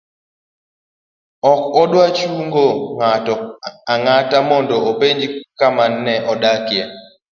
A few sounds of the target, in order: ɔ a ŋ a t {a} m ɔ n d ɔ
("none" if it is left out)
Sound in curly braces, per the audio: a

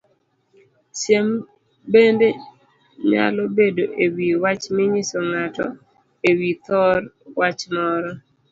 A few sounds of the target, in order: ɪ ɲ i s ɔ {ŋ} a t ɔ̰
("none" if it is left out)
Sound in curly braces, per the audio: ŋ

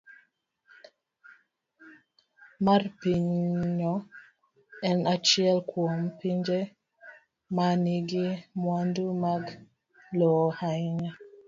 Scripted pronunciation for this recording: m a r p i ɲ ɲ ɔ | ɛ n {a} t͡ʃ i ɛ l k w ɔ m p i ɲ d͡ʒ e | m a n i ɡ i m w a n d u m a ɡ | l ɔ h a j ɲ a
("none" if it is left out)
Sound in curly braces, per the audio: a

